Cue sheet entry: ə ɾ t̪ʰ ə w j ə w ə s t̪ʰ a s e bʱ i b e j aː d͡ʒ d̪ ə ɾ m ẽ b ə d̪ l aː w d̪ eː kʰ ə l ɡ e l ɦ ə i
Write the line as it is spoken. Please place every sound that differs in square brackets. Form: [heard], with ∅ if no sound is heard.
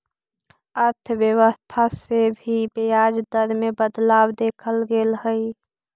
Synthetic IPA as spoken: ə ɾ t̪ʰ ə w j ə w ə s t̪ʰ a s e bʱ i b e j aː d͡ʒ d̪ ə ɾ m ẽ b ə d̪ l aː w d̪ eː kʰ ə l ɡ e l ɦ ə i